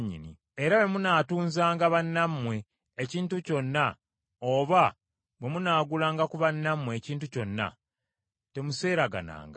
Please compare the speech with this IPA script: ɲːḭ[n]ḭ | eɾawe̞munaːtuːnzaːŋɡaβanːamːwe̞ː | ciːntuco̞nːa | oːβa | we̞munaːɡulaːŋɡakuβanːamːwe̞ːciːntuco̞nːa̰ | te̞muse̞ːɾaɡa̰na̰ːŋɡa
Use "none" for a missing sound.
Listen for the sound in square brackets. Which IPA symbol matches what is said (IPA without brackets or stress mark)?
n